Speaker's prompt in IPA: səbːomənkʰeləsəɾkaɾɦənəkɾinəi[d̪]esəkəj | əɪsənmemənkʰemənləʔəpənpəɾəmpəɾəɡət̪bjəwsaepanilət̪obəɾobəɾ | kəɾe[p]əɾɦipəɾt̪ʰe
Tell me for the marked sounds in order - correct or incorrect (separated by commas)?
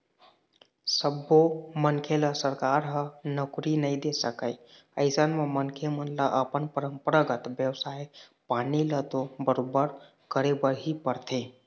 correct, incorrect